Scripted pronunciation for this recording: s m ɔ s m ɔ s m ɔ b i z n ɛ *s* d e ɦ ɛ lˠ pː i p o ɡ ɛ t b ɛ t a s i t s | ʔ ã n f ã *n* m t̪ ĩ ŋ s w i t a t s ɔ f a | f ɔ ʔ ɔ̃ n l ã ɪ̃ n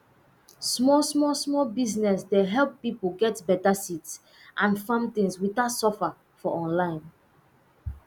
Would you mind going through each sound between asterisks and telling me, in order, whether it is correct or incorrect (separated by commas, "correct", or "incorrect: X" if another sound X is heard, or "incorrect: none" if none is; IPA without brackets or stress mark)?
correct, incorrect: none